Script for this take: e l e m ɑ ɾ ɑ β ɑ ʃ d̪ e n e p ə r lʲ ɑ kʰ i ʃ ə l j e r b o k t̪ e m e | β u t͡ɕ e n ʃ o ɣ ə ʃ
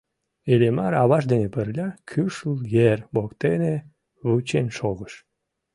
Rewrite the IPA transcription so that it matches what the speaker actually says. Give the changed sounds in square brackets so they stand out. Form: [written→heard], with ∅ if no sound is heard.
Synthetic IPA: e l e m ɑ ɾ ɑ β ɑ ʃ d̪ e n e p ə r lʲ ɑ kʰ [i→y] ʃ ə l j e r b o k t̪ e [m→n] e | β u t͡ɕ e n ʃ o ɣ ə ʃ